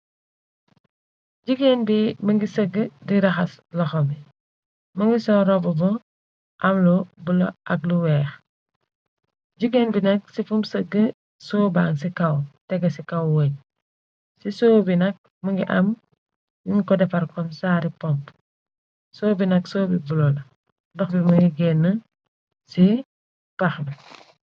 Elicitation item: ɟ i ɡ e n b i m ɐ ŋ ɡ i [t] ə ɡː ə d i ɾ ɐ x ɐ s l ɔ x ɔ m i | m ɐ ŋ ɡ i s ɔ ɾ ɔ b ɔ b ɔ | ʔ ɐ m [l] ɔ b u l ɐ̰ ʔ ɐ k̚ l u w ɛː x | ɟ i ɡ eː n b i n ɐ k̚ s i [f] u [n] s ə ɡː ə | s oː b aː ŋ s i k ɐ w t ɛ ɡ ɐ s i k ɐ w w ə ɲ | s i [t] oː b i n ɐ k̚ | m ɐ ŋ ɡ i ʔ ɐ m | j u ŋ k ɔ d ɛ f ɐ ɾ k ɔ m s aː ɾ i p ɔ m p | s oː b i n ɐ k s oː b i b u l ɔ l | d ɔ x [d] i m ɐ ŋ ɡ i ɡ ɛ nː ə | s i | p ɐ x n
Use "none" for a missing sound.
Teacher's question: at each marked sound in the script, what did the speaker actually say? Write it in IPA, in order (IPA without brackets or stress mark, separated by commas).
s, l, f, m, s, b